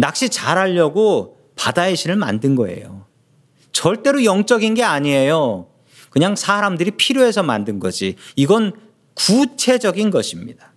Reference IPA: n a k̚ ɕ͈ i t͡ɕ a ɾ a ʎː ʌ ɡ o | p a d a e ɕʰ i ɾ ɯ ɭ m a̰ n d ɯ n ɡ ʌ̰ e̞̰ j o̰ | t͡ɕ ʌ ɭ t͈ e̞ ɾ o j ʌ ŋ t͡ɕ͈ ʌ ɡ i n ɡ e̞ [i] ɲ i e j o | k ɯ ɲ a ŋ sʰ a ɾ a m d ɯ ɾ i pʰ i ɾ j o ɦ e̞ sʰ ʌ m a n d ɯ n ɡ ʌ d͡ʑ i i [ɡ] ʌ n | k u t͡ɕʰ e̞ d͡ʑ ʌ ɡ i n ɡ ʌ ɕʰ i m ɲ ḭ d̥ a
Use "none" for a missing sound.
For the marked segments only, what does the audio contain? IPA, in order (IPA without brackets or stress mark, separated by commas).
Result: a, ɡ